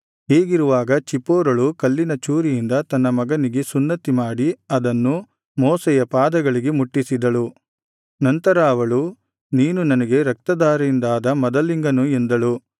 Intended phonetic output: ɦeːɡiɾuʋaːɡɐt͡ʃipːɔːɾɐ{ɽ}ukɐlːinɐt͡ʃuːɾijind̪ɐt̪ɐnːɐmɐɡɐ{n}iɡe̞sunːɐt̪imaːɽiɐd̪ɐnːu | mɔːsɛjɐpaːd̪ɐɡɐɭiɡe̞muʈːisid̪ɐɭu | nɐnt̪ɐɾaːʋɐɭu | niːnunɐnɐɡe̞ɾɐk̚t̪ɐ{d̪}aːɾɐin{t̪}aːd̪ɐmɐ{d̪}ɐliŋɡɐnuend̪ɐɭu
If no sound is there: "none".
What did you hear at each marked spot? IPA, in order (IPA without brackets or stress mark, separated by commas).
ɭ, n, d̪, d̪, d̪